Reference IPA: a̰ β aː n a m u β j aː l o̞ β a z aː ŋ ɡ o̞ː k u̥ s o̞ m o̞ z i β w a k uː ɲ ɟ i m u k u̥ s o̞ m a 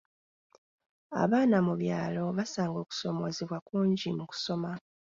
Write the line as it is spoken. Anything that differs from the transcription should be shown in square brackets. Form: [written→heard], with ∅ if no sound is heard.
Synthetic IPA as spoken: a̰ β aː n a m u β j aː l o̞ β a [z→s] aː ŋ ɡ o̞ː k u̥ s o̞ m o̞ z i β w a k uː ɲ ɟ i m u k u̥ s o̞ m a